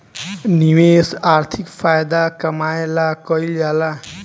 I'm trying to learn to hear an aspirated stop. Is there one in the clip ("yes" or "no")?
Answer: yes